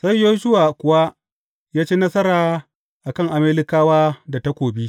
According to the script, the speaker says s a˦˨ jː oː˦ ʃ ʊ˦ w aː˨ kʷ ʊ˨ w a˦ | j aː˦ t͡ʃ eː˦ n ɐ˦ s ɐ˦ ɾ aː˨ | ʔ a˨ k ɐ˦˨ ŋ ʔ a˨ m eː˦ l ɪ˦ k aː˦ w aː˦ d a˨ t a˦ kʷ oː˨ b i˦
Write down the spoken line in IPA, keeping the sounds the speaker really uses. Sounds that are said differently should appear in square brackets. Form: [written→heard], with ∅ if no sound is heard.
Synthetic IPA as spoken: s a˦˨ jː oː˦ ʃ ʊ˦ w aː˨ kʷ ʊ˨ w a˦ | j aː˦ t͡ʃ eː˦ n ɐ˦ s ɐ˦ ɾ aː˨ | ʔ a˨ k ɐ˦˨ ŋ ʔ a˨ m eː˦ l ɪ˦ k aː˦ w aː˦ d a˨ t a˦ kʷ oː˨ b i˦